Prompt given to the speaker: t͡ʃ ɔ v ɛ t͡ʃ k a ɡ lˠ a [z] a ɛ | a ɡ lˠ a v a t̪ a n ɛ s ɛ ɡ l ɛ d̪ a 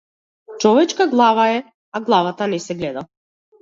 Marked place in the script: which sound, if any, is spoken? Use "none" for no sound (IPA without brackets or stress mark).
v